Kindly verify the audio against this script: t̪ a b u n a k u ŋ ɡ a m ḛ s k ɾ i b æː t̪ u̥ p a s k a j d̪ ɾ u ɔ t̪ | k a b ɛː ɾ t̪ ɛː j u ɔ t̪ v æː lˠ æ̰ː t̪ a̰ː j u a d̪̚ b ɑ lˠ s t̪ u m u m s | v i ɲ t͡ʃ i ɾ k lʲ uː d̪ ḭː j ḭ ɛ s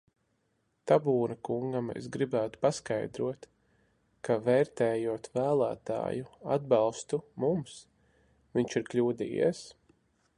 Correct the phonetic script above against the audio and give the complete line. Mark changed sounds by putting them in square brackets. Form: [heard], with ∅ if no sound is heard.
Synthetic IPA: t̪ a b [uː] n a k u ŋ ɡ a m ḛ s [ɡ] ɾ i b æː t̪ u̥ p a s k a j d̪ ɾ u ɔ t̪ | k a [v] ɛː ɾ t̪ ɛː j u ɔ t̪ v æː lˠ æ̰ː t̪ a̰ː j u a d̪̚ b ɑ lˠ s t̪ u m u m s | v i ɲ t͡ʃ i ɾ k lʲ uː d̪ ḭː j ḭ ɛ s